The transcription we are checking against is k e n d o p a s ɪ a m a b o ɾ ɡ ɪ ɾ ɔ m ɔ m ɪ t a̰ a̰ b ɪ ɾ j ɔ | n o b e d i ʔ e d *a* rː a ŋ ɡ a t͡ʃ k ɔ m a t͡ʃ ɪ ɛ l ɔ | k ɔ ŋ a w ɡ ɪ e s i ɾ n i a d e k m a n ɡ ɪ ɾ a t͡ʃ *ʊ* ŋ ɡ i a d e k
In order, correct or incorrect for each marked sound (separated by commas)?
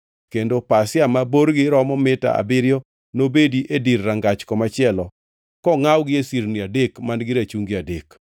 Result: incorrect, incorrect